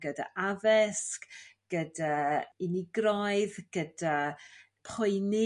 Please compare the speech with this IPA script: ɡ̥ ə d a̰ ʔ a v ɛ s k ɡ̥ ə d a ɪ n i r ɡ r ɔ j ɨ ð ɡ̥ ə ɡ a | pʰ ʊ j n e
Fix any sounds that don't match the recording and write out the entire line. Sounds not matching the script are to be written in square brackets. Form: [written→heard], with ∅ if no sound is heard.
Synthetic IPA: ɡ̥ ə d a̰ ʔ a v ɛ s k ɡ̥ ə d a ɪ n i [r→∅] ɡ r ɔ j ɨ ð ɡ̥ ə [ɡ→d] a | pʰ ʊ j n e